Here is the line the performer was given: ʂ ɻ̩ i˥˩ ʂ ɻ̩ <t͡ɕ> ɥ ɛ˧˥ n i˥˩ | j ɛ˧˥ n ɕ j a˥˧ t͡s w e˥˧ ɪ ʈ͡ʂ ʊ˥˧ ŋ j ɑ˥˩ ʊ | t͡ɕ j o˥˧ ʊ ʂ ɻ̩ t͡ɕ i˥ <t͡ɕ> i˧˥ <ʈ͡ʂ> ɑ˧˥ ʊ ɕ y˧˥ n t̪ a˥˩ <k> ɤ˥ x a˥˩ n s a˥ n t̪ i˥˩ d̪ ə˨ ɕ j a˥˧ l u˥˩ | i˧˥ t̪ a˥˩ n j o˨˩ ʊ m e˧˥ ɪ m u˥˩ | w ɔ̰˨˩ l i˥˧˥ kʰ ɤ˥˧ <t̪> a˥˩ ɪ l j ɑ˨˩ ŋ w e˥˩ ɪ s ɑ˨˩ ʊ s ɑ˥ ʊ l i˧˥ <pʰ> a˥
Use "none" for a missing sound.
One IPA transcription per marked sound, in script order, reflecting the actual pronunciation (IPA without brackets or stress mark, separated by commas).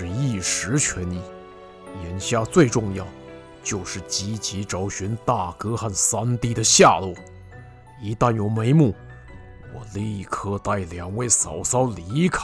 t͡ɕʰ, t͡ɕ, ʈ͡ʂ, k, t̪, kʰ